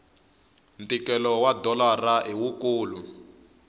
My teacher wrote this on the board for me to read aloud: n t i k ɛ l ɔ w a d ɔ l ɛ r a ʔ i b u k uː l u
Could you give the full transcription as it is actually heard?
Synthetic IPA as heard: n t i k ɛ l ɔ w a d ɔ l a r a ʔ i w u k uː l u